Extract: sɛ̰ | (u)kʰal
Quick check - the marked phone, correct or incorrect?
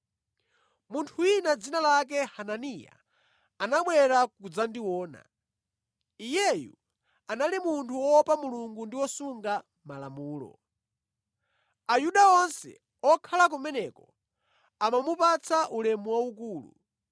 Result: incorrect: ɔ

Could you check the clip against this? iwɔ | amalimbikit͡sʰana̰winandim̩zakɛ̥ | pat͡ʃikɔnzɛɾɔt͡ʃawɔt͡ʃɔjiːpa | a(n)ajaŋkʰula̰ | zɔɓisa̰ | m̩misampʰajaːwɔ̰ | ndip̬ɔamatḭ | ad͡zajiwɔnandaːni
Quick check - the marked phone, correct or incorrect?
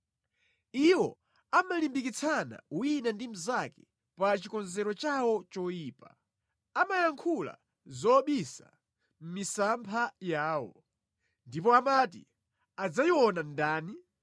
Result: incorrect: m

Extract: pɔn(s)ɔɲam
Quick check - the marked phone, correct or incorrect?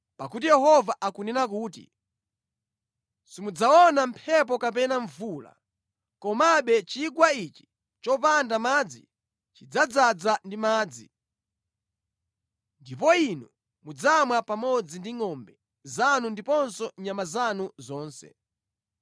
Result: correct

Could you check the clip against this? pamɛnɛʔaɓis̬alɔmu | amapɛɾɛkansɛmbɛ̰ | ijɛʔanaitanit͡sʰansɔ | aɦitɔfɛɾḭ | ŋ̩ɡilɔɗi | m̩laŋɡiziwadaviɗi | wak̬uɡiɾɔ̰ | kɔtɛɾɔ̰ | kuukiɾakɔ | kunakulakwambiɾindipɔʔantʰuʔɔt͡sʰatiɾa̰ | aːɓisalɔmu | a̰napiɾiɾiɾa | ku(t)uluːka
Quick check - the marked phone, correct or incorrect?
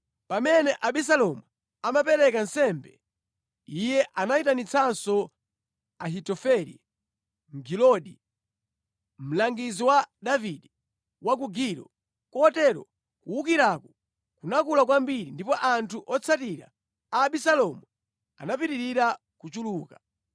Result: incorrect: t͡ʃ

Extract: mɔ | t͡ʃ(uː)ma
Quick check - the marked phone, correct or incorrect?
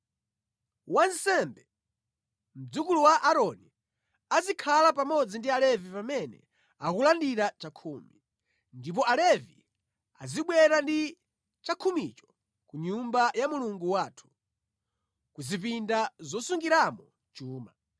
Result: correct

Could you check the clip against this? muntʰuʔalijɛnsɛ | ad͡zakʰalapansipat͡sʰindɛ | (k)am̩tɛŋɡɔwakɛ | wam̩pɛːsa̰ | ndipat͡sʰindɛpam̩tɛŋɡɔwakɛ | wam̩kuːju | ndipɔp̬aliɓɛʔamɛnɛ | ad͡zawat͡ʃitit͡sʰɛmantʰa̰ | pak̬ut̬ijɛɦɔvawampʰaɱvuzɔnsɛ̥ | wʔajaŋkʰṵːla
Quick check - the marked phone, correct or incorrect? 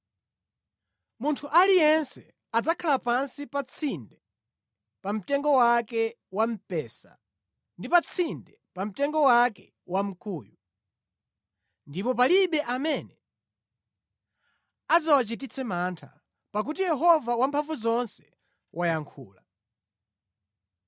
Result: incorrect: p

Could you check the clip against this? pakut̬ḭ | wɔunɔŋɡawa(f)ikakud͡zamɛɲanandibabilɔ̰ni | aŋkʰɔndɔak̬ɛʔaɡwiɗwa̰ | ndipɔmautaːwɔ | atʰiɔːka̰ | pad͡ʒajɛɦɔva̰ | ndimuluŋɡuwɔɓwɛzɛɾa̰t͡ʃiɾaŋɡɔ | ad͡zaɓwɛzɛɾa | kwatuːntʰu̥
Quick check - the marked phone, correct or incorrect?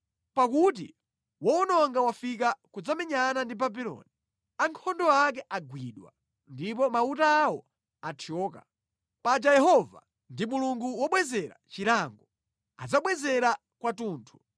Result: correct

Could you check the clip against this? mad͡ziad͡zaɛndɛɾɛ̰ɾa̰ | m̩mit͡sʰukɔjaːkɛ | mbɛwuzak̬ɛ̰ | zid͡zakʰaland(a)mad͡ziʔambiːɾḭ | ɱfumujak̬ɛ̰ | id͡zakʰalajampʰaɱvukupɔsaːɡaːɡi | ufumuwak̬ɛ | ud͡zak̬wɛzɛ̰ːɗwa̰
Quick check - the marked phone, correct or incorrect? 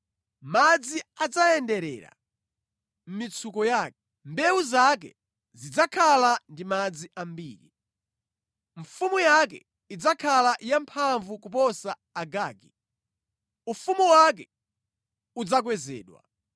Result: incorrect: i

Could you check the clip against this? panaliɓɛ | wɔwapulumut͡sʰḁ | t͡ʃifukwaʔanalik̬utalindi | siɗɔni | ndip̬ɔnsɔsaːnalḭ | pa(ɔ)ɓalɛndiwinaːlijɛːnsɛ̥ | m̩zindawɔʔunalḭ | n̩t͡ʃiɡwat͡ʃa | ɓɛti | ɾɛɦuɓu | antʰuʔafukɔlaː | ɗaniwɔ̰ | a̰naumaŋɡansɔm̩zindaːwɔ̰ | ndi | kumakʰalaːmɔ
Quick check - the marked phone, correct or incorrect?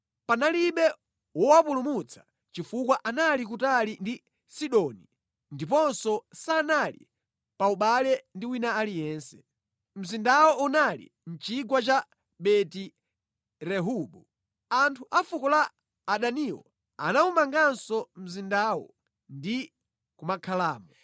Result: incorrect: u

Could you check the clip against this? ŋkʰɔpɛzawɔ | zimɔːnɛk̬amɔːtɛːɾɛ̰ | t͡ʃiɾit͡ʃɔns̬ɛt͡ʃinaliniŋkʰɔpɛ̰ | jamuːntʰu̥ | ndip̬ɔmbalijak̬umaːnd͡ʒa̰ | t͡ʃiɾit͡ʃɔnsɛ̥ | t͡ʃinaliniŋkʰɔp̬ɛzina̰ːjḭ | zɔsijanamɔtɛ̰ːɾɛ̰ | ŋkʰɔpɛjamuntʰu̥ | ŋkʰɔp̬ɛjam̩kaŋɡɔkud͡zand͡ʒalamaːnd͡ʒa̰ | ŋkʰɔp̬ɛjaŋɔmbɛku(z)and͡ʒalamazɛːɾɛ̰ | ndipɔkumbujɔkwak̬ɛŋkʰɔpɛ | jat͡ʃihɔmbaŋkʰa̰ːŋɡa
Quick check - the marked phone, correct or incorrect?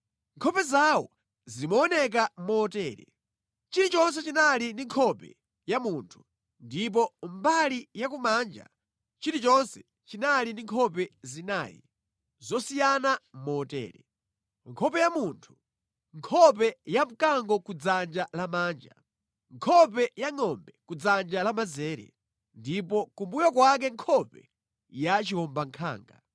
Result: incorrect: d͡z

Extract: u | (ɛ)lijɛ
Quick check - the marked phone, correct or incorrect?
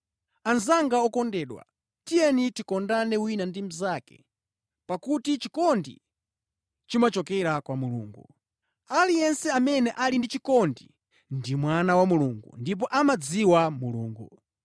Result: incorrect: a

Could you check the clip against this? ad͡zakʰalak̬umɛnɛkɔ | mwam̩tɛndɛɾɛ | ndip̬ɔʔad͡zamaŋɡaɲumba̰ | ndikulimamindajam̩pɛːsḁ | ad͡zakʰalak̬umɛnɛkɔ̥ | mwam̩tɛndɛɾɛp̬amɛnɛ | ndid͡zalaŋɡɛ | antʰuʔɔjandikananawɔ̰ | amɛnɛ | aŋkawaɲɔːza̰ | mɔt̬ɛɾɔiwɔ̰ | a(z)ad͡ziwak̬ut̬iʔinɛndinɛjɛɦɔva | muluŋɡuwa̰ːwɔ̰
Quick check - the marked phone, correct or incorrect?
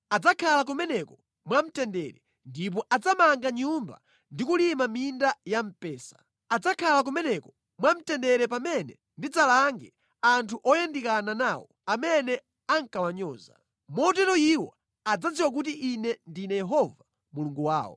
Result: incorrect: d͡z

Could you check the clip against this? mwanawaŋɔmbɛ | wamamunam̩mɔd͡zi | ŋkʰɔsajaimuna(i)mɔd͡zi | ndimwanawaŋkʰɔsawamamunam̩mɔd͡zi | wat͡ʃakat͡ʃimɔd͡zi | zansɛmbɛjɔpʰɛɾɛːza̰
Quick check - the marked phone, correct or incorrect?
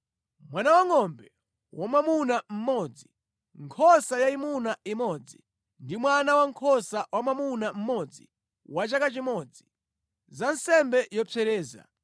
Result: correct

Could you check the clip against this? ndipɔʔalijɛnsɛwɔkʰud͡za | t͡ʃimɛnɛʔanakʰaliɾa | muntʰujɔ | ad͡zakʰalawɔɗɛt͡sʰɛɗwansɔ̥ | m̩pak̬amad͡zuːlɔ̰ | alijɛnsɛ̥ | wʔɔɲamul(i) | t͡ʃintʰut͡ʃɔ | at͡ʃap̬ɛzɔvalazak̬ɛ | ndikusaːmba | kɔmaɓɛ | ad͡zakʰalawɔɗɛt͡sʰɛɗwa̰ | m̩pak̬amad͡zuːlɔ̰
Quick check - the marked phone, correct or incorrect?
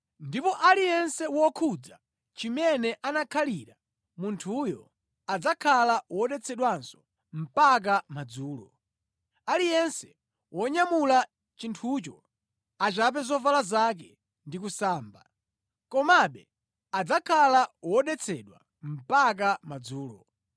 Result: incorrect: a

